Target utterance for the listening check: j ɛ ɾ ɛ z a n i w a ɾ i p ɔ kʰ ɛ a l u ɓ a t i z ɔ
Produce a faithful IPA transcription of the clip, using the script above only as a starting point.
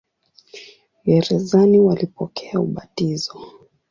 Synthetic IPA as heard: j ɛ ɾ ɛ z a n i w a l i p ɔ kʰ ɛ a u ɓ a t i z ɔ